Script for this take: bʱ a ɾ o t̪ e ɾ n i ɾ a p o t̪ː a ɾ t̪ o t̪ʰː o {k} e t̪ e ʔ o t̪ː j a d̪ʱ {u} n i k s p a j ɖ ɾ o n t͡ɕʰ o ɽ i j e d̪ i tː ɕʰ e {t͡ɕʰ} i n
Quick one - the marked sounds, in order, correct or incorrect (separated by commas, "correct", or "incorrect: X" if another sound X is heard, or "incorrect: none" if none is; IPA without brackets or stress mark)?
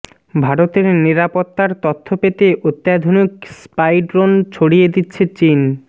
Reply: incorrect: p, incorrect: o, incorrect: t͡ɕ